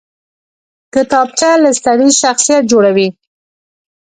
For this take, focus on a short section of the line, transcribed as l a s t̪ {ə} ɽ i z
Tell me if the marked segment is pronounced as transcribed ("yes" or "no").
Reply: no